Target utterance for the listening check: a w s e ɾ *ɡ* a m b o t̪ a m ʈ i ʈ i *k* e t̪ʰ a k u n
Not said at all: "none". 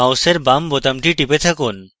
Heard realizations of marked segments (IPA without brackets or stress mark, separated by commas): b, p